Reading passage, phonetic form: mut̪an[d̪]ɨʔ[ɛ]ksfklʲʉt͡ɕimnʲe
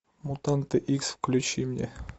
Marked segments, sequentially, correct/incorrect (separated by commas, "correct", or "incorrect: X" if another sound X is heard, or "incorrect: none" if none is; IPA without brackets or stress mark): incorrect: t̪, incorrect: i